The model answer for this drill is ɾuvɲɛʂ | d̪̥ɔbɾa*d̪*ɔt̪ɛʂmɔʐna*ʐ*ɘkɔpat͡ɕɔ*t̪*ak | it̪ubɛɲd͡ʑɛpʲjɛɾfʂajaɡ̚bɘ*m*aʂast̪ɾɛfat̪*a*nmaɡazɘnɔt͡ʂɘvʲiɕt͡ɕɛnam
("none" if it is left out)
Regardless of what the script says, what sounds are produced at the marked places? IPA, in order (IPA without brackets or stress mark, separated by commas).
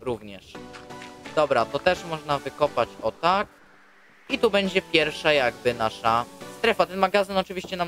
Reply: t̪, v, t̪, n, ɛ